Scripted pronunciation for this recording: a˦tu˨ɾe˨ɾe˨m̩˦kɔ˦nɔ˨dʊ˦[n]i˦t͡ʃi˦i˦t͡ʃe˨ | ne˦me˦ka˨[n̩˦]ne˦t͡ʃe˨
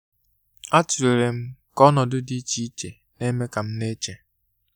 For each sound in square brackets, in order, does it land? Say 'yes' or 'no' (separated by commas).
no, no